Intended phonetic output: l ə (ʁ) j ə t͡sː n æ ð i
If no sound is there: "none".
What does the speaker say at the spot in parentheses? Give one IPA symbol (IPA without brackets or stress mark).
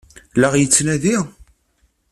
ʁ